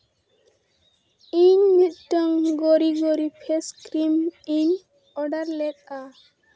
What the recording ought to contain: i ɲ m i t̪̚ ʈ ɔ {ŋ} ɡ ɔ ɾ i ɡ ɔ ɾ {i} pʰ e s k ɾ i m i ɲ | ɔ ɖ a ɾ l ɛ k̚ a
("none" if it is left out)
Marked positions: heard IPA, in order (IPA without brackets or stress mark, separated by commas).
ŋ, i